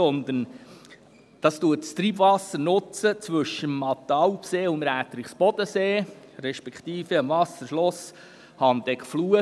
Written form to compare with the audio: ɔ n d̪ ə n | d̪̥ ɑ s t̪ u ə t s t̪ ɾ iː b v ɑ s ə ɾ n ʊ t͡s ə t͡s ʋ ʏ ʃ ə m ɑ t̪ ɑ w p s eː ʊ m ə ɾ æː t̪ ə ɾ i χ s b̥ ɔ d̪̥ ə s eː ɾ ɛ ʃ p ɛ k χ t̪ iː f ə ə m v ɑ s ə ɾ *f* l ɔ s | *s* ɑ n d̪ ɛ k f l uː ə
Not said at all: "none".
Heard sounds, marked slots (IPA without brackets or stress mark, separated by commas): ʃ, h